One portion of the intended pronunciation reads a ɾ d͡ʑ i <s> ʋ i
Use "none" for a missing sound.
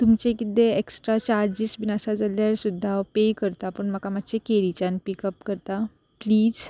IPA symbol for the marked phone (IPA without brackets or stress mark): s